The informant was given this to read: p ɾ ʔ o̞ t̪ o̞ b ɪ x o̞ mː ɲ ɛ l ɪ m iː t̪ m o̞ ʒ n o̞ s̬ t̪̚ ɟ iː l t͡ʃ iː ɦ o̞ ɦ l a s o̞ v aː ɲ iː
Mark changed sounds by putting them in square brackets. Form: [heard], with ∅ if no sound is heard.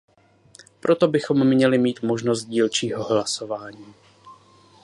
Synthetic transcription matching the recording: p ɾ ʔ o̞ t̪ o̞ b ɪ x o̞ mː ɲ ɛ l ɪ m iː t̪ m o̞ ʒ n o̞ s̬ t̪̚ ɟ iː l t͡ʃ iː ɦ o̞ ɦ l a s o̞ v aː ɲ iː

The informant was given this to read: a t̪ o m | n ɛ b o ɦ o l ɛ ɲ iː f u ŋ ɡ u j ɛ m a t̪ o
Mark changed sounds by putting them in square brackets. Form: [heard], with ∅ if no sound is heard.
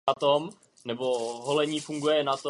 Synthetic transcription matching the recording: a t̪ o m | n ɛ b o ɦ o l ɛ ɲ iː f u ŋ ɡ u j ɛ [n] a t̪ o

